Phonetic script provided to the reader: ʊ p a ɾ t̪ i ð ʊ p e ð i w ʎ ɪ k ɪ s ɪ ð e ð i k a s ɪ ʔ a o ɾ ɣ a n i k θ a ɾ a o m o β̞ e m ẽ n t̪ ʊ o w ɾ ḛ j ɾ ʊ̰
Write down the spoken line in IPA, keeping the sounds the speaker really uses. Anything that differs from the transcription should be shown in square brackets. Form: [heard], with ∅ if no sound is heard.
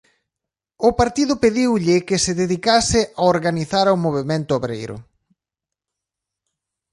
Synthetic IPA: ʊ p a ɾ t̪ i ð ʊ p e ð i w ʎ ɪ k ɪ s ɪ ð e ð i k a s ɪ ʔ a o ɾ ɣ a n i [∅] θ a ɾ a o m o β̞ e m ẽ n t̪ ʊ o [β] ɾ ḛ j ɾ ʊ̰

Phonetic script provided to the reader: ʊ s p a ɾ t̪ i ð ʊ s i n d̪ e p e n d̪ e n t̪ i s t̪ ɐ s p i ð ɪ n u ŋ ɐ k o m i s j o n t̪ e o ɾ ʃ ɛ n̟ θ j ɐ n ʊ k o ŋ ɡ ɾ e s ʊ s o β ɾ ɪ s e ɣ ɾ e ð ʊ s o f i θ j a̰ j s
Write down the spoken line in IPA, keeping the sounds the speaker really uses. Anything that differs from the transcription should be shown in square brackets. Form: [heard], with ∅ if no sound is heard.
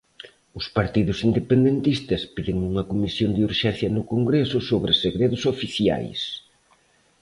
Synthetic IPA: ʊ s p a ɾ t̪ i ð ʊ s i n d̪ e p e n d̪ e n t̪ i s t̪ ɐ s p i ð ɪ [ŋ] u ŋ ɐ k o m i s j o n [d̪] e [u] ɾ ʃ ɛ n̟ θ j ɐ n ʊ k o ŋ ɡ ɾ e s ʊ s o β ɾ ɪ s e ɣ ɾ e ð ʊ s o f i θ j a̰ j s

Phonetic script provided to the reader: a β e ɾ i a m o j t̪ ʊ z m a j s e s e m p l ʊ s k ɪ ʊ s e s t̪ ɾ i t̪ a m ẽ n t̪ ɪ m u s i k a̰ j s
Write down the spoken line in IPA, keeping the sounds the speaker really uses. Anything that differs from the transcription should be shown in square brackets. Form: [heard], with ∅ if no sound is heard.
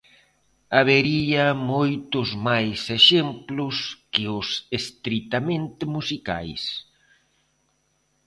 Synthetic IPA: a β e ɾ i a m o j t̪ ʊ z m a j s e [ʃ] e m p l ʊ s k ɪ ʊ s e s t̪ ɾ i t̪ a m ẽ n t̪ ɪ m u s i k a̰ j s

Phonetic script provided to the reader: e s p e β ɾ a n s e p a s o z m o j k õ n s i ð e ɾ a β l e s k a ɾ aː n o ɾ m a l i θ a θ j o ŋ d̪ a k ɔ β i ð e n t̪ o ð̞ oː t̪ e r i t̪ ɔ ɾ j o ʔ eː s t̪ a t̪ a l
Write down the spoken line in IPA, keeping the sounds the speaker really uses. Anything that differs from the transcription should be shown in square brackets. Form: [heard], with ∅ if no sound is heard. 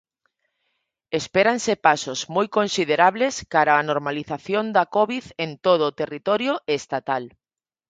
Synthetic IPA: e s p e [∅] ɾ a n s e p a s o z m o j k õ n s i ð e ɾ a β l e s k a ɾ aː n o ɾ m a l i θ a θ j o [n] d̪ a k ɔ β i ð e n t̪ o ð̞ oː t̪ e r i t̪ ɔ ɾ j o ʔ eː s t̪ a t̪ a l

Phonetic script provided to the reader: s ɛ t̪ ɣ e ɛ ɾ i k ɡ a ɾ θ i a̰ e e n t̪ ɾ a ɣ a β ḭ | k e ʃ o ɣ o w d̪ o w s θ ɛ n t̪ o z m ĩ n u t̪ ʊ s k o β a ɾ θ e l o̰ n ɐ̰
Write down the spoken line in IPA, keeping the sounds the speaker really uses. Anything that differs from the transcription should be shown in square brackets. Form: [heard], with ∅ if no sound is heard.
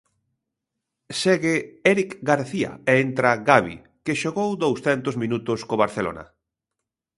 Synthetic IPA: s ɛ [∅] ɣ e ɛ ɾ i k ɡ a ɾ θ i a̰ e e n t̪ ɾ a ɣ a β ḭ | k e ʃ o ɣ o w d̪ o w s θ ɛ n t̪ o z m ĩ n u t̪ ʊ s k o β a ɾ θ e l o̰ n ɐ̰

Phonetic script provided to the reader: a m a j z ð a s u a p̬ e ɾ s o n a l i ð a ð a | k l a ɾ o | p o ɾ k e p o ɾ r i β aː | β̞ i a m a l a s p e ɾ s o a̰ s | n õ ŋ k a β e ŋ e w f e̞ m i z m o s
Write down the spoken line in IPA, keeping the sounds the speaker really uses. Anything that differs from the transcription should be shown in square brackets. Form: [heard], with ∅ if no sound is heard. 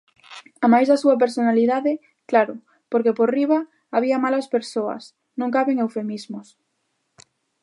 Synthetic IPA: a m a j z ð a s u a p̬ e ɾ s o n a l i ð a ð [e] | k l a ɾ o | p o ɾ k e p o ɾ r i β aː | β̞ i a m a l a s p e ɾ s o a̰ s | n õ ŋ k a β e ŋ e w f e̞ m i z m o s

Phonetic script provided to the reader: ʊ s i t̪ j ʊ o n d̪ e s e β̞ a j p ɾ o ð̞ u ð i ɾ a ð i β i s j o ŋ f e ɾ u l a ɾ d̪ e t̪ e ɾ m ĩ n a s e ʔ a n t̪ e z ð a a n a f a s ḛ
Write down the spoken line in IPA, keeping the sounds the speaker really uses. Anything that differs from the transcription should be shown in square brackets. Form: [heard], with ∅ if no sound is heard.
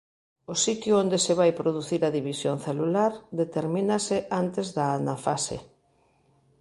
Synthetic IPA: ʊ s i t̪ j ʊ o n d̪ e s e β̞ a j p ɾ o ð̞ u [θ] i ɾ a ð i β i s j o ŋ [θ] e [l] u l a ɾ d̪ e t̪ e ɾ m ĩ n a s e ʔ a n t̪ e z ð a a n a f a s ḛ

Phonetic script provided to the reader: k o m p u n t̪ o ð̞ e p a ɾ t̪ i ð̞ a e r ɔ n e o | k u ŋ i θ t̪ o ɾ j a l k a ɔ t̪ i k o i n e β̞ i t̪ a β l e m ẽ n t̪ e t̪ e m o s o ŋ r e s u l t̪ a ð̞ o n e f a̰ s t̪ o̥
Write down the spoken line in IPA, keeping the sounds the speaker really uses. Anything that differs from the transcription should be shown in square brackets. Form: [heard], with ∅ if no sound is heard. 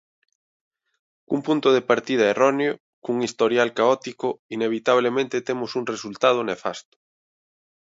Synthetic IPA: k [u] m p u n t̪ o ð̞ e p a ɾ t̪ i ð̞ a e r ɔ n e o | k u ŋ i [s] t̪ o ɾ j a l k a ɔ t̪ i k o i n e β̞ i t̪ a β l e m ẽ n t̪ e t̪ e m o s [u] ŋ r e s u l t̪ a ð̞ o n e f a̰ s t̪ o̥

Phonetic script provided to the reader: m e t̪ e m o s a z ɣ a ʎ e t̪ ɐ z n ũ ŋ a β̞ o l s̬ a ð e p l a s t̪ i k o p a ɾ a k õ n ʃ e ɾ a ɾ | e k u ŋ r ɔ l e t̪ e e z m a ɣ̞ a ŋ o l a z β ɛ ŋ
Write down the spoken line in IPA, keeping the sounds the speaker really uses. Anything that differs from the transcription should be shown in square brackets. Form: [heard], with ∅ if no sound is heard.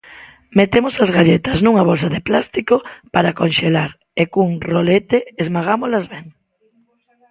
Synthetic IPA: m e t̪ e m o s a z ɣ a ʎ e t̪ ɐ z n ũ ŋ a β̞ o l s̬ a ð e p l a s t̪ i k o p a ɾ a k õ n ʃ e [l] a ɾ | e k u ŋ r [o] l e t̪ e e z m a ɣ̞ a [m] o l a z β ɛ ŋ

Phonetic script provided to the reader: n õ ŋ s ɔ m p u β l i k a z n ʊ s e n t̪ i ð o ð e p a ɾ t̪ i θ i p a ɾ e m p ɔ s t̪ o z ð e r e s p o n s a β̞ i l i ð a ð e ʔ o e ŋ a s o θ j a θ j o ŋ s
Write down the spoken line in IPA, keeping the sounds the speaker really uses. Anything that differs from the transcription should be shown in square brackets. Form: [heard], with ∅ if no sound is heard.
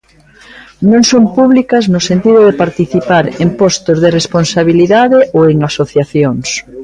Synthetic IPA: n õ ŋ s [o] m p u β l i k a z n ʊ s e n t̪ i ð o ð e p a ɾ t̪ i θ i p a ɾ e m p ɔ s t̪ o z ð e r e s p o n s a β̞ i l i ð a ð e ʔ o e ŋ a s o θ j a θ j o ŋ s

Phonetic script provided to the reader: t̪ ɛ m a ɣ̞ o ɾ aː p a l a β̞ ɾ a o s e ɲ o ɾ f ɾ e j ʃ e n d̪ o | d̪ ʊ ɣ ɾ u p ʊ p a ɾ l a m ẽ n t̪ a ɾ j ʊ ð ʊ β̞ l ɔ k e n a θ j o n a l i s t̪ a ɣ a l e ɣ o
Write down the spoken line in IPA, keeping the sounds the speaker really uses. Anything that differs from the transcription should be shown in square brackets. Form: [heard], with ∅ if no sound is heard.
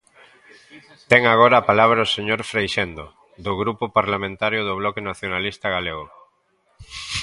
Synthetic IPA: t̪ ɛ [ŋ] a ɣ̞ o ɾ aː p a l a β̞ ɾ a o s e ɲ o ɾ f ɾ e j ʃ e n d̪ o | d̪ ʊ ɣ ɾ u p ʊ p a ɾ l a m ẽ n t̪ a ɾ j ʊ ð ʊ β̞ l ɔ k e n a θ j o n a l i s t̪ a ɣ a l e ɣ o

